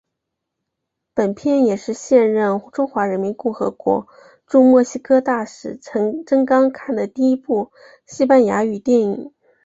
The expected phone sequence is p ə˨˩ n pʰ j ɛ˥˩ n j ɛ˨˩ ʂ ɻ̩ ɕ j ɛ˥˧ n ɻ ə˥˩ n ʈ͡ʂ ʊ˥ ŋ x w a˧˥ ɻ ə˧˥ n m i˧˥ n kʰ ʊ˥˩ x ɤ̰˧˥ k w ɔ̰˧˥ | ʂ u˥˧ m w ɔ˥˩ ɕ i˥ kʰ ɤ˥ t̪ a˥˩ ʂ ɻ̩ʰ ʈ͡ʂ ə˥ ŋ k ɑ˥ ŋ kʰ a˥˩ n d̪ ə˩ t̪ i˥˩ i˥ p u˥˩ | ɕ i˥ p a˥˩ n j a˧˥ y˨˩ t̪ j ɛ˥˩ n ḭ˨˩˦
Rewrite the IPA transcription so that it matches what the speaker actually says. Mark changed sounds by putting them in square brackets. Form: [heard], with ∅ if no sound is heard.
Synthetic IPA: p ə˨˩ n pʰ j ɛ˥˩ n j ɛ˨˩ ʂ ɻ̩ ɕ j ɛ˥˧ n ɻ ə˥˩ n ʈ͡ʂ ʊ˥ ŋ x w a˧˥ ɻ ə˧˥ n m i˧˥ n [k] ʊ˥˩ x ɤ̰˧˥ k w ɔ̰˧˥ | [ʈ͡ʂ] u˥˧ m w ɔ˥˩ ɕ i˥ kʰ ɤ˥ t̪ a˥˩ ʂ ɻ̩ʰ ʈ͡ʂ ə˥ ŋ k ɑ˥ ŋ kʰ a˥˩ n d̪ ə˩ t̪ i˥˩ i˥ p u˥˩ | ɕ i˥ p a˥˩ n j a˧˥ y˨˩ t̪ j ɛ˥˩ n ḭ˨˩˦